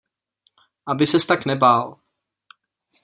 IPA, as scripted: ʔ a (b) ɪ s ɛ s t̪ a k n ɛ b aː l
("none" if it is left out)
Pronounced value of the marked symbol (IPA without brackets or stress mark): b